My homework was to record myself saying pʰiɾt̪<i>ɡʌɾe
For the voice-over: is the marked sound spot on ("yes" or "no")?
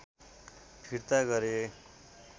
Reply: no